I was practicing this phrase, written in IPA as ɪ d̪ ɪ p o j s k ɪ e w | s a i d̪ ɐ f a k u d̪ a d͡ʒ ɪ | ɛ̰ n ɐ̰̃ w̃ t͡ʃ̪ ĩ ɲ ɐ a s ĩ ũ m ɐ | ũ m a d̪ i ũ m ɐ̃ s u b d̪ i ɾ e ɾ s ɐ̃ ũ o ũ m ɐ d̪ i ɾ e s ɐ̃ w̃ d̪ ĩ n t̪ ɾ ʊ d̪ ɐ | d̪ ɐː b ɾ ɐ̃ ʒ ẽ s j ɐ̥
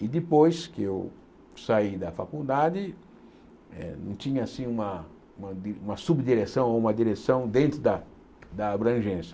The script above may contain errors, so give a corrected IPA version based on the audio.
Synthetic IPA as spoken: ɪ d̪ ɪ p o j s k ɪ e w | s a i d̪ ɐ f a k u d̪ a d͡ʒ ɪ | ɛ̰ n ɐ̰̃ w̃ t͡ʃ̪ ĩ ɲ ɐ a s ĩ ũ m ɐ | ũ m ɐ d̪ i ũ m ɐ s u b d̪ i ɾ e s ɐ̃ w̃ o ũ m ɐ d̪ i ɾ e s ɐ̃ w̃ d̪ ẽ n t̪ ɾ ʊ d̪ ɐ | d̪ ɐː b ɾ ɐ̃ ʒ ẽ s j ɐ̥